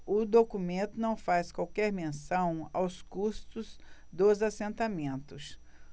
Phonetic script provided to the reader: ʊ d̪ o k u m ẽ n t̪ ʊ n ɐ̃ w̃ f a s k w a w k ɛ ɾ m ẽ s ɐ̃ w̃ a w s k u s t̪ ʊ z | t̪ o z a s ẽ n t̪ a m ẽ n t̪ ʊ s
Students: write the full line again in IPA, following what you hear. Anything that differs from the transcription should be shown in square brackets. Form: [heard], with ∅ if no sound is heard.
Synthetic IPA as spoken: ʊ d̪ o k u m ẽ n t̪ ʊ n ɐ̃ w̃ f a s k w a w k ɛ ɾ m ẽ s ɐ̃ w̃ a w s k u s t̪ ʊ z | [d̪] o z a s ẽ n t̪ a m ẽ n t̪ ʊ s